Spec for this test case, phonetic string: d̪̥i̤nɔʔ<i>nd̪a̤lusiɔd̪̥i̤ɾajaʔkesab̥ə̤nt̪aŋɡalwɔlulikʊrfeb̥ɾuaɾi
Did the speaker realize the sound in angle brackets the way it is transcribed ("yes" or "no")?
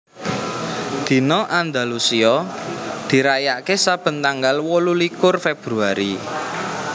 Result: no